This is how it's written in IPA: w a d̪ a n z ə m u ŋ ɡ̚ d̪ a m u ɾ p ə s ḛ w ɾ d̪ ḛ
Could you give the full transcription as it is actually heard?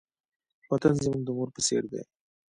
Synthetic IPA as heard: w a t̪ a n z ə m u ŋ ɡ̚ d̪ ə m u ɾ p ə s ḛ ɾ d̪ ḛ